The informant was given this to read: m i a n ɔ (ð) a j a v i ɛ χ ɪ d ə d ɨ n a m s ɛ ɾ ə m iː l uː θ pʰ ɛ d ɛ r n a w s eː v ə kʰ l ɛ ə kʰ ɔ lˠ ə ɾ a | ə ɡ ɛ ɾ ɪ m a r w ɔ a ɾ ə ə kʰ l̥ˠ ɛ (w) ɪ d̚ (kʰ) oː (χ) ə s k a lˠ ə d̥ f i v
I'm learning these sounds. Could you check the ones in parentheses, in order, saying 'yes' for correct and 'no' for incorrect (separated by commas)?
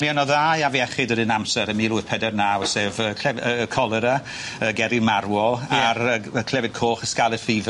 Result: yes, no, yes, yes